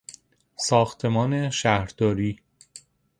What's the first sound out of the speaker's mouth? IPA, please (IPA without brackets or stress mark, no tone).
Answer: s